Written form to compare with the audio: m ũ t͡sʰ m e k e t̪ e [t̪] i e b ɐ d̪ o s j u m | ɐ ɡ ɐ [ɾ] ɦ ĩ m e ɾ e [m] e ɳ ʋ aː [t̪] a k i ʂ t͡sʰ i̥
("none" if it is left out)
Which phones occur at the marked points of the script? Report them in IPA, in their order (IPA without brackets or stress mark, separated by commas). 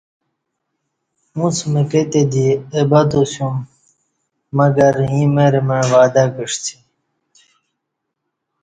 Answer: d̪, ɾ, m, d̪